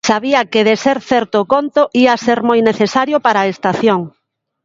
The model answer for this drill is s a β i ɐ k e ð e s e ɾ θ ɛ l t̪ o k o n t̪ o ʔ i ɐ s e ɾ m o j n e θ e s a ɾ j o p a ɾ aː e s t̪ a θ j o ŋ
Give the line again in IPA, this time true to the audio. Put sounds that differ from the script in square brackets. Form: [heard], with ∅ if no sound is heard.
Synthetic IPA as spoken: s a β i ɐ k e ð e s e ɾ θ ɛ [ɾ] t̪ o k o n t̪ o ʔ i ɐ s e ɾ m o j n e θ e s a ɾ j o p a ɾ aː e s t̪ a θ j o ŋ